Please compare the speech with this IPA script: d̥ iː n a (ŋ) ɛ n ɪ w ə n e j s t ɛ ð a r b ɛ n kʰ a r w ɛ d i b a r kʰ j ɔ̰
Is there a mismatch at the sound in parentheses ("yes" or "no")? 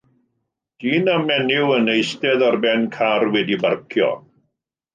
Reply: yes